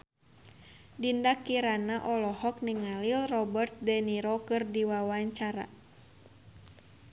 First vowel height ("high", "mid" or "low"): high